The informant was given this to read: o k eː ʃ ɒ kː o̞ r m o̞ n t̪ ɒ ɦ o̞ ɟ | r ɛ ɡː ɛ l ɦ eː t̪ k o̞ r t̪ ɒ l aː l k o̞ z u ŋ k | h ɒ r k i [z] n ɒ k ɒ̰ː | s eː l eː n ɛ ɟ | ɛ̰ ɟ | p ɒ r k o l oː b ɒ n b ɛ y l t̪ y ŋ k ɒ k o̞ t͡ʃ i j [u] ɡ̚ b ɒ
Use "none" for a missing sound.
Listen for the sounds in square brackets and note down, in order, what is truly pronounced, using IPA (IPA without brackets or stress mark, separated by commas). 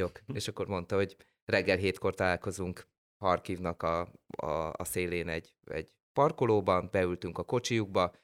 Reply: v, u